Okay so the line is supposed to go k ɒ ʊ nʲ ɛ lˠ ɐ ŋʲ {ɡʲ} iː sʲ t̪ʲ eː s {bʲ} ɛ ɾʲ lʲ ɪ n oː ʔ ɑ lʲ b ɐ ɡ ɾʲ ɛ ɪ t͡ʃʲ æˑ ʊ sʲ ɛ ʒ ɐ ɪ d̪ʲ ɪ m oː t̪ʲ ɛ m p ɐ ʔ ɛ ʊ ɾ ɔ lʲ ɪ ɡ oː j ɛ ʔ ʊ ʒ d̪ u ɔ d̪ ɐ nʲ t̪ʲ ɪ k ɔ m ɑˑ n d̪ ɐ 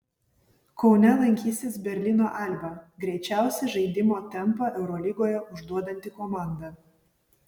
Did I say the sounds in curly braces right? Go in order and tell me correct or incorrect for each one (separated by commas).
incorrect, correct